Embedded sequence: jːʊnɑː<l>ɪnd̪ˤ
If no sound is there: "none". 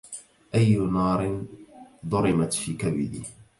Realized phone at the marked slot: ɾ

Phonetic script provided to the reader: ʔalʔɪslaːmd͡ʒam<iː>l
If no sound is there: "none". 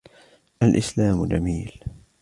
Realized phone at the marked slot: iː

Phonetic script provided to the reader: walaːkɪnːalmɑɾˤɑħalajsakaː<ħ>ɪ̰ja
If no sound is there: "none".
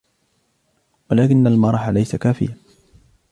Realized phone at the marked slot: f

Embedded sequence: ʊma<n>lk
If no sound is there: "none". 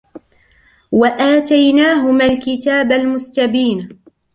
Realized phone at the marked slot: none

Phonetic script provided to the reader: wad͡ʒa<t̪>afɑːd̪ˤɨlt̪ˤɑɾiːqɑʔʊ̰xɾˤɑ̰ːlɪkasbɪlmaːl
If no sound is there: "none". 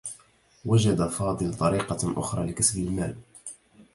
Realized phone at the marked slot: d̪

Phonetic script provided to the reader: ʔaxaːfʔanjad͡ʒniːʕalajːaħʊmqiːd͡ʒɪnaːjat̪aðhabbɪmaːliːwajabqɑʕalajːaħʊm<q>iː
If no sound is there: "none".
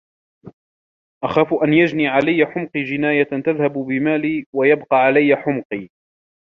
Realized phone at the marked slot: q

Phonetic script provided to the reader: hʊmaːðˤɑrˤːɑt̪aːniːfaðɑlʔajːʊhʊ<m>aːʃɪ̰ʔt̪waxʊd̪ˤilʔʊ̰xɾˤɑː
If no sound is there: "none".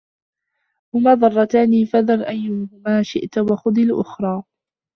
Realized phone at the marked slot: m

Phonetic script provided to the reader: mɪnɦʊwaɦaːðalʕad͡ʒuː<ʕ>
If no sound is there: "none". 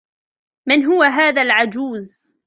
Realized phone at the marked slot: z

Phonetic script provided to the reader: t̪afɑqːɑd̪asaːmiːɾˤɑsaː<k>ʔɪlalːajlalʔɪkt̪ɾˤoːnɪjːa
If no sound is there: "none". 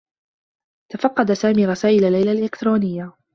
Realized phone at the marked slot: none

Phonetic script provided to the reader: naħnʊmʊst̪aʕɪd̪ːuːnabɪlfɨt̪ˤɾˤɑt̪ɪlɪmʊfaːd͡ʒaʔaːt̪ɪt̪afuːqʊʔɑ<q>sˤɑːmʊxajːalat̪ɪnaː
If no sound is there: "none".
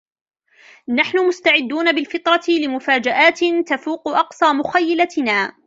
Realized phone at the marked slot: q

